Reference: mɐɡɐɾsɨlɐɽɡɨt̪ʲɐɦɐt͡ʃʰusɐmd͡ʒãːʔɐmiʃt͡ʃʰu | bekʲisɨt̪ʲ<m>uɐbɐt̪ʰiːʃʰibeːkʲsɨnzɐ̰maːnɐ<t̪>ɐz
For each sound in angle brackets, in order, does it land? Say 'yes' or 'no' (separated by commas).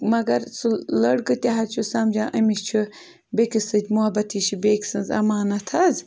yes, no